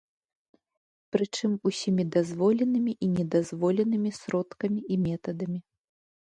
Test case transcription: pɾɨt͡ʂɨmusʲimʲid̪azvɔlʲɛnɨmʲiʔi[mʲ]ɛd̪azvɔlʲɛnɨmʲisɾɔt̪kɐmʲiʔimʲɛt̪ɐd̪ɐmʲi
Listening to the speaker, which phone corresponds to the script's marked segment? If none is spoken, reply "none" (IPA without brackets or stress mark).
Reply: nʲ